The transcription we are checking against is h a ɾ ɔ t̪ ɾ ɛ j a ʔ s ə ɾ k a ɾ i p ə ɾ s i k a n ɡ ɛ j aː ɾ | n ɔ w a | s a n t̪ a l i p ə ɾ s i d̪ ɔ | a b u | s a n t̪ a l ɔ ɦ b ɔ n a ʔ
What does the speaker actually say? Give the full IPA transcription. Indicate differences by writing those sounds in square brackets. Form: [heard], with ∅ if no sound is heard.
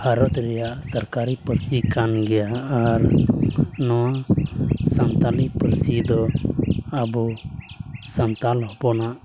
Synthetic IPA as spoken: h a ɾ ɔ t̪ ɾ ɛ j a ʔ s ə ɾ k a ɾ i p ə ɾ s i k a n ɡ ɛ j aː ɾ | n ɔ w a | s a n t̪ a l i p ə ɾ s i d̪ ɔ | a b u | s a n t̪ a l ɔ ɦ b ɔ n a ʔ